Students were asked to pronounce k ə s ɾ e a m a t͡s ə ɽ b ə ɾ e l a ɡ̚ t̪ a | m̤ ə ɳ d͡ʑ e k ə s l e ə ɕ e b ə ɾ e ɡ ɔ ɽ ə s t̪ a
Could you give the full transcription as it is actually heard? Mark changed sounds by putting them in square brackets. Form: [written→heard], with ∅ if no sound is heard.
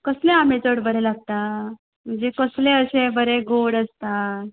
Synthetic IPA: k ə s [ɾ→l] e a m [a→e] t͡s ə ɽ b ə ɾ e l a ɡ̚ t̪ a | m̤ ə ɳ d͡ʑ e k ə s l e ə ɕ e b ə ɾ e ɡ [ɔ→o] ɽ ə s t̪ a